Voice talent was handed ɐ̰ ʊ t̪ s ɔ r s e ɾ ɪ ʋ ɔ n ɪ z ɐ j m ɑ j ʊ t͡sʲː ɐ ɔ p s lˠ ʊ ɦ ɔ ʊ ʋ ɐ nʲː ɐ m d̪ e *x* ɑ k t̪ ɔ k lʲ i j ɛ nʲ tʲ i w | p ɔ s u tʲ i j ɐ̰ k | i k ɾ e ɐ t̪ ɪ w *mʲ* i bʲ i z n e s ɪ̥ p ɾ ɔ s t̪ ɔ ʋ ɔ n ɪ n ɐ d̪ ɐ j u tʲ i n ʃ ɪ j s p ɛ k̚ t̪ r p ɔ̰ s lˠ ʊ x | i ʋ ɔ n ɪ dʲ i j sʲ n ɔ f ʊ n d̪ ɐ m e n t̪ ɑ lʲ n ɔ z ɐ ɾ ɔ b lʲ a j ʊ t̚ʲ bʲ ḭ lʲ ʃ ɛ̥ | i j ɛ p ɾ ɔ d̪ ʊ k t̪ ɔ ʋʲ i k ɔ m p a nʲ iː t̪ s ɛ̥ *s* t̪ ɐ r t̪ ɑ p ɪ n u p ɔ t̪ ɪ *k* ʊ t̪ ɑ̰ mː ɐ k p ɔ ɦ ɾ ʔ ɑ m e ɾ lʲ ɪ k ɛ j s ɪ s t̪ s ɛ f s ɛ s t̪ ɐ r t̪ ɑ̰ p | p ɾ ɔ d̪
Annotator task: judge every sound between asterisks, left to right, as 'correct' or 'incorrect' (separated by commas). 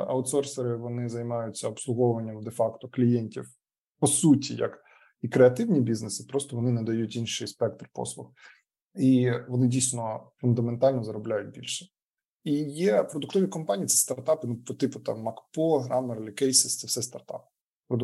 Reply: incorrect, incorrect, correct, incorrect